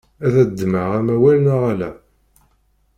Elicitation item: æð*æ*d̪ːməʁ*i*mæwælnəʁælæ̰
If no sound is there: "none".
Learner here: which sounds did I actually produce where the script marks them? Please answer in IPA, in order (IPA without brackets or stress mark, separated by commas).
æ, æ